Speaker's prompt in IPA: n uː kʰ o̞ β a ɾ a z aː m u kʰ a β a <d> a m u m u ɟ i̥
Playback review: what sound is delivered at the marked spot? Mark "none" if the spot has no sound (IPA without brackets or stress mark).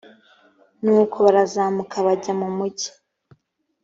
ɟ